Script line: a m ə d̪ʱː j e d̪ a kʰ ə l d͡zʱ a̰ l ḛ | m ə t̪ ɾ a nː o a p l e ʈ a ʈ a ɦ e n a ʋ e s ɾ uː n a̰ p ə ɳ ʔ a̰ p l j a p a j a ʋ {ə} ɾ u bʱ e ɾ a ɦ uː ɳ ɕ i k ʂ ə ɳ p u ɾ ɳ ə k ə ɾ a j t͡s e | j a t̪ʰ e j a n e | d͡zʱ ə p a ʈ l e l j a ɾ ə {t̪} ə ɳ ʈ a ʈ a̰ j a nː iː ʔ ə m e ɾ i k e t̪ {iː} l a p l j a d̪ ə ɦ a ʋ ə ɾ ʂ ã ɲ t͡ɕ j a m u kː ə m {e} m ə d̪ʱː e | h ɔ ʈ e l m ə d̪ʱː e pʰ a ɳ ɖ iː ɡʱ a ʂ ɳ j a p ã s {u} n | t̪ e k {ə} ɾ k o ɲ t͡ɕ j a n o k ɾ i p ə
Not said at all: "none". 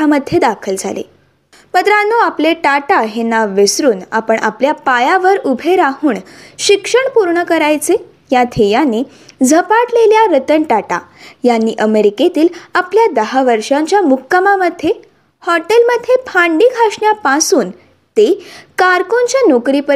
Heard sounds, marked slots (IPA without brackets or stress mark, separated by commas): ə, t̪, iː, a, uː, a